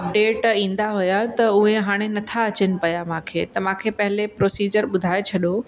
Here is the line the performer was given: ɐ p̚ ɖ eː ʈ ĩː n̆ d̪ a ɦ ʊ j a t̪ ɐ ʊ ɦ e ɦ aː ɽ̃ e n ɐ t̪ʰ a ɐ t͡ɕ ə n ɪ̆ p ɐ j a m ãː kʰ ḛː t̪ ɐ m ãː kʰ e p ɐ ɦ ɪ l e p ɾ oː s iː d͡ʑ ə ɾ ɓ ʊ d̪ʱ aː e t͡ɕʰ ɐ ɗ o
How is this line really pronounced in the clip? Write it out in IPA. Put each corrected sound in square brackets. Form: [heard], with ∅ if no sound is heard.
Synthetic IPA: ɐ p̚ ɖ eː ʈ ĩː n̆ d̪ a ɦ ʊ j a t̪ ɐ ʊ ɦ e ɦ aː ɽ̃ e n ɐ t̪ʰ a ɐ t͡ɕ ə n ɪ̆ p ɐ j a m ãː kʰ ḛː t̪ ɐ m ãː kʰ e p ɐ ɦ ɪ l e p ɾ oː s iː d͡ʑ ə ɾ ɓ ʊ d̪ʱ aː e t͡ɕʰ ɐ ɗ o